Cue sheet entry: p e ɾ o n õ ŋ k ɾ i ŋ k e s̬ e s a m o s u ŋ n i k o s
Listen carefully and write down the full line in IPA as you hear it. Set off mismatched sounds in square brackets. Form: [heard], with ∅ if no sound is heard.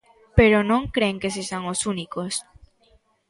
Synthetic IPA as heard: p e ɾ o n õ ŋ k ɾ [e] ŋ k e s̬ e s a [ŋ] o s u [∅] n i k o s